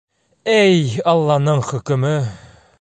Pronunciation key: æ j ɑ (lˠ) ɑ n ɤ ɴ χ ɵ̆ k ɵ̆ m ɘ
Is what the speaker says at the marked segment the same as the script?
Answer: no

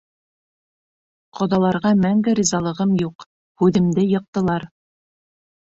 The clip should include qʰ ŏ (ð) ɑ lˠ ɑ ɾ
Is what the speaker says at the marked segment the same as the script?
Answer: yes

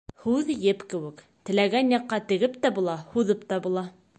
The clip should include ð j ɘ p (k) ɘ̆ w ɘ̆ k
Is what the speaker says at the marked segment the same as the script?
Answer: yes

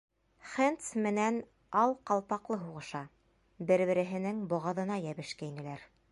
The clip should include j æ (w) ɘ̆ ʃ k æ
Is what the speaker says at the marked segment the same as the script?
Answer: no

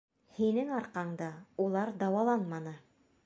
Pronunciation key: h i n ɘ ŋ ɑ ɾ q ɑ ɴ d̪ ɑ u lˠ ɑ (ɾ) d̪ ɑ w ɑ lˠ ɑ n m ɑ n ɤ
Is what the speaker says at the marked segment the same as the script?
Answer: yes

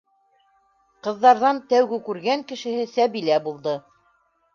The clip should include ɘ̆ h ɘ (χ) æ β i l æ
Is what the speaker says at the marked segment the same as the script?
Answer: no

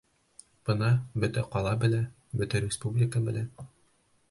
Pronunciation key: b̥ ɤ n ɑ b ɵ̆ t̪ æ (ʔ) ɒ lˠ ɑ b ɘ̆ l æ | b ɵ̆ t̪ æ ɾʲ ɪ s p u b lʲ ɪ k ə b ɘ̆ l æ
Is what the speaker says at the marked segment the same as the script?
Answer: no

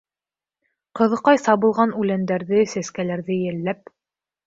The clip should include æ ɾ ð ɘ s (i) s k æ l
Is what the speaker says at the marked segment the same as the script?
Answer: no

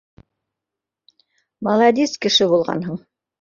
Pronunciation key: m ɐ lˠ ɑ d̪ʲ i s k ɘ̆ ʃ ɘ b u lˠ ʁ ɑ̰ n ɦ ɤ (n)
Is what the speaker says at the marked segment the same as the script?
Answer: no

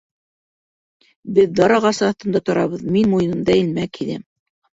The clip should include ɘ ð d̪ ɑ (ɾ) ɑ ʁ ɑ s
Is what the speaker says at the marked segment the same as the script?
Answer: yes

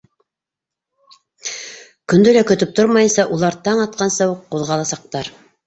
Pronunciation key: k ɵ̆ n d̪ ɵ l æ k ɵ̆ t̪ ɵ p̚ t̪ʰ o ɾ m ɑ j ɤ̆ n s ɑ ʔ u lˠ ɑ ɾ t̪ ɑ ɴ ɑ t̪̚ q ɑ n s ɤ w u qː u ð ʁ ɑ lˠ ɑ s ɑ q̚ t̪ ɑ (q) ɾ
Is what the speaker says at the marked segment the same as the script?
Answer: no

